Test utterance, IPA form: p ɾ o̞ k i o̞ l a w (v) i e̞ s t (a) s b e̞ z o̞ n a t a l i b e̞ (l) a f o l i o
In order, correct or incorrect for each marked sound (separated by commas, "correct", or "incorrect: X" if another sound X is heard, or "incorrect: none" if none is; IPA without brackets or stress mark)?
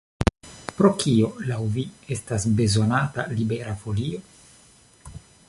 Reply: correct, correct, incorrect: ɾ